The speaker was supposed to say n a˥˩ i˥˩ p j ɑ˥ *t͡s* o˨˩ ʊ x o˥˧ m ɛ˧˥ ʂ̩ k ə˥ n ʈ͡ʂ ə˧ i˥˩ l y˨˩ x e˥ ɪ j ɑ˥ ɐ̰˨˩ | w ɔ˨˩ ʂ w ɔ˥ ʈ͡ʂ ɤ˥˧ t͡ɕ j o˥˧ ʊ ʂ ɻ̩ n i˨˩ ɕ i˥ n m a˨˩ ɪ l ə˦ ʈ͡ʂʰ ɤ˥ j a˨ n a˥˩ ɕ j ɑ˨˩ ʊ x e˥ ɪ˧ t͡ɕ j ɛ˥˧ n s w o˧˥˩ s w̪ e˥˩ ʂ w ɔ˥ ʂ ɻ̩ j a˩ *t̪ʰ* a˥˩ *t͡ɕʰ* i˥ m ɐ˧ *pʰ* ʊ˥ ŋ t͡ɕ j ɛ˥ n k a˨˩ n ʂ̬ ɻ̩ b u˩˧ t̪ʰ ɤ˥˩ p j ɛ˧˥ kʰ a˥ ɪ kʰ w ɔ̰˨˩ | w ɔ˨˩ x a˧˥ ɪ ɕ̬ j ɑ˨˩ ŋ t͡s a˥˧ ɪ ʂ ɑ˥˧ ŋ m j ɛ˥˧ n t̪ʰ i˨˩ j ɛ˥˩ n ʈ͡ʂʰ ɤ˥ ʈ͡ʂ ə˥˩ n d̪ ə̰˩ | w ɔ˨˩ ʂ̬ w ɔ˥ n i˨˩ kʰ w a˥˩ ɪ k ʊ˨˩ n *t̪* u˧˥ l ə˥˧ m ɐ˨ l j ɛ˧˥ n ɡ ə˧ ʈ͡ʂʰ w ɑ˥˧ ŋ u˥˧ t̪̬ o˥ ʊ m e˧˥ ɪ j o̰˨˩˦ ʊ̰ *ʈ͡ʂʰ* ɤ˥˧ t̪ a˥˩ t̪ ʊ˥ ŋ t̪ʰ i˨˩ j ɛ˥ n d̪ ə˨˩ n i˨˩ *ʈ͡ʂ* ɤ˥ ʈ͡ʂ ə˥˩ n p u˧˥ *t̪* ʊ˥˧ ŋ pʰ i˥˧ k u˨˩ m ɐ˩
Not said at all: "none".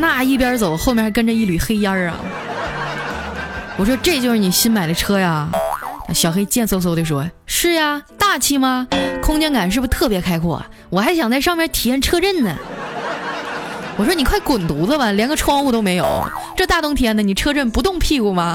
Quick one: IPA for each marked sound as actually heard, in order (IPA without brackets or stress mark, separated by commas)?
t͡s, t̪, t͡ɕʰ, kʰ, t̪, ʈ͡ʂ, ʈ͡ʂʰ, t̪